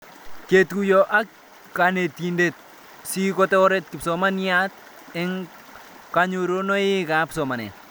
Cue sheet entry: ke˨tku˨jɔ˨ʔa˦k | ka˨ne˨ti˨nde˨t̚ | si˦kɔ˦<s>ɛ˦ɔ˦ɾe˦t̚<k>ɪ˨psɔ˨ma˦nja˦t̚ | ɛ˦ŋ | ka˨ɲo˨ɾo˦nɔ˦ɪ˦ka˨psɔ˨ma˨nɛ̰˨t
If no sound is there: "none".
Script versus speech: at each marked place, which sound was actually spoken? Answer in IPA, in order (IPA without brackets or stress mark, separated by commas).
t, k